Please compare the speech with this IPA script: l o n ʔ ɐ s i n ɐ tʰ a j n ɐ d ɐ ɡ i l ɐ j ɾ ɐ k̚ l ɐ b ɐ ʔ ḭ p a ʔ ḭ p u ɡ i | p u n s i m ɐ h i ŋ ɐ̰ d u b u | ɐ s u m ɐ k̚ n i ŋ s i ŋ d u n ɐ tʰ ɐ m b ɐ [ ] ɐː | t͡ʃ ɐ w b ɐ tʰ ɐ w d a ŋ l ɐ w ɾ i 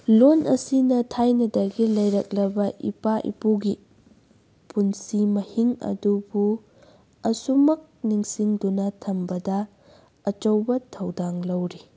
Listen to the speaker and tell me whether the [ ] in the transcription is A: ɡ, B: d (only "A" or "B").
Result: B